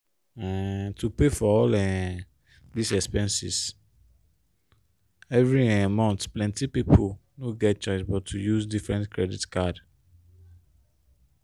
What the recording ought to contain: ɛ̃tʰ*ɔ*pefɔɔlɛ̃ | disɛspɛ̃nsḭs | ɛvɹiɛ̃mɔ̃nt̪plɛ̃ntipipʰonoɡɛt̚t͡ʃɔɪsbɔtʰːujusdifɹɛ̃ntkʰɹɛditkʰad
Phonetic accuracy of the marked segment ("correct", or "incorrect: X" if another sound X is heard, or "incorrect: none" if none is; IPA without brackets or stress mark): incorrect: u